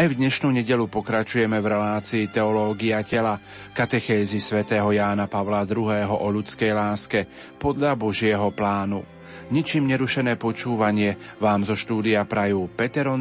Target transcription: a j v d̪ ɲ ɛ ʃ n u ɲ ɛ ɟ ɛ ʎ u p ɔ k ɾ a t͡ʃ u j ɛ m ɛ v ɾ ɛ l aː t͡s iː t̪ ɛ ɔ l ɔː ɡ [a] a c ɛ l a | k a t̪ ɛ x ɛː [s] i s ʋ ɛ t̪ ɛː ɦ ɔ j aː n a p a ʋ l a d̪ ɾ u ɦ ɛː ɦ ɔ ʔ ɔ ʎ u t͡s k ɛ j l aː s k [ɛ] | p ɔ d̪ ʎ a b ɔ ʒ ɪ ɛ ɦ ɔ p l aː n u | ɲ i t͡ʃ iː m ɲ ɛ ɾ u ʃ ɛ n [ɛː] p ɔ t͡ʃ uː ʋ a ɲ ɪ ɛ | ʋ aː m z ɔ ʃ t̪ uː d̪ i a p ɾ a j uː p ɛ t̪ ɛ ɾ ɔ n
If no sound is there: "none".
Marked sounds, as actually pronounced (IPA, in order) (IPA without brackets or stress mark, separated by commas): i, z, ɛ, ɛː